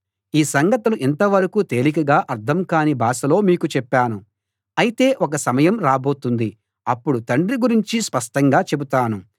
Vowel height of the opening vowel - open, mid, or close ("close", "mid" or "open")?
close